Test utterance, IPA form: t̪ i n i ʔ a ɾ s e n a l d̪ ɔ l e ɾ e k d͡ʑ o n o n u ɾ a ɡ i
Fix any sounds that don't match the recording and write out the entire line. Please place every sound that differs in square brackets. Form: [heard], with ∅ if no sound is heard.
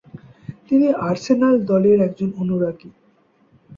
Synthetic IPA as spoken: t̪ i n i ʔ a ɾ s e n a l d̪ ɔ l e ɾ [ɛ] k d͡ʑ o n o n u ɾ a ɡ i

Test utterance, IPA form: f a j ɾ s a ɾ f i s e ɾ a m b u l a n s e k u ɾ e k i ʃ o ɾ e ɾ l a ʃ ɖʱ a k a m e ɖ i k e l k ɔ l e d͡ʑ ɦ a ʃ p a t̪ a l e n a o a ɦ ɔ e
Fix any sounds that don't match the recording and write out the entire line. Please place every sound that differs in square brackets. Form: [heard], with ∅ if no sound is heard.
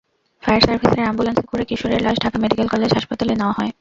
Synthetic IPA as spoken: f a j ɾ s a ɾ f i s e ɾ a m b u l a n s e k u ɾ e k i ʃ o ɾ e ɾ l a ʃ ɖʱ a k a m e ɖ i k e l k ɔ l e d͡ʑ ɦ a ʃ p a t̪ a l e n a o a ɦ ɔ e

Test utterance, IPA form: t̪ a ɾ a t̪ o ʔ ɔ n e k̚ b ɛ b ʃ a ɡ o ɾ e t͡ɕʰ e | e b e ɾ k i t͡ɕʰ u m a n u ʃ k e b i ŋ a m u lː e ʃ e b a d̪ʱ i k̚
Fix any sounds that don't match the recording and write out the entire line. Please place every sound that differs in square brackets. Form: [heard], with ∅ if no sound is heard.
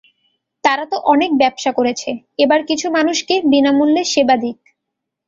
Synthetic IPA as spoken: t̪ a ɾ a t̪ o ʔ ɔ n e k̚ b ɛ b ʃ a [k] o ɾ e t͡ɕʰ e | e b [a] ɾ k i t͡ɕʰ u m a n u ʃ k e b i [n] a m u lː e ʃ e b a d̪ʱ i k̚

